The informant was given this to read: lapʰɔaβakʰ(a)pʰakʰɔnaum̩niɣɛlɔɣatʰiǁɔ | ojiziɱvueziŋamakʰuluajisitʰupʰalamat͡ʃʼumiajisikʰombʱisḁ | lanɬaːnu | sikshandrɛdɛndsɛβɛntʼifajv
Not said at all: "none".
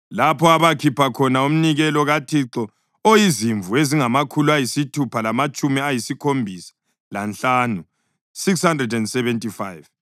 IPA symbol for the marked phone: i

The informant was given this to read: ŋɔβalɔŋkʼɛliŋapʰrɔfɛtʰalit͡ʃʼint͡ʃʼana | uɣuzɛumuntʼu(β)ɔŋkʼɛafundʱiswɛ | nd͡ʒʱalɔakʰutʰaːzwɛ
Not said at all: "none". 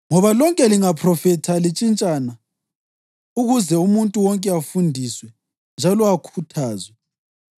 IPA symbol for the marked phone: w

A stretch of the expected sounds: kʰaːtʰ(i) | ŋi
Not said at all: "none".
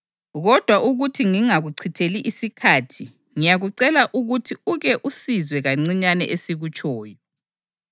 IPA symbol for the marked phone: i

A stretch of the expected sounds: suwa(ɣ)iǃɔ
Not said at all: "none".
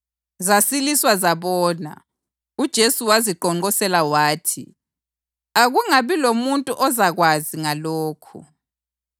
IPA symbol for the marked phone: z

